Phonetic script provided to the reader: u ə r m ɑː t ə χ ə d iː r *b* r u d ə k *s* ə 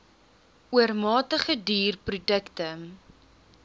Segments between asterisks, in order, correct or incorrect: incorrect: p, incorrect: t

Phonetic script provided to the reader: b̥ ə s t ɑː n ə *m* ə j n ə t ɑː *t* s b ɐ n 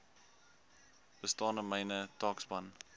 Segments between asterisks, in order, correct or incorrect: correct, incorrect: k

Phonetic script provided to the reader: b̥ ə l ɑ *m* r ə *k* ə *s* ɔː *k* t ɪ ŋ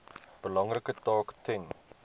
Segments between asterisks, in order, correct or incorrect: incorrect: ŋ, correct, incorrect: t, correct

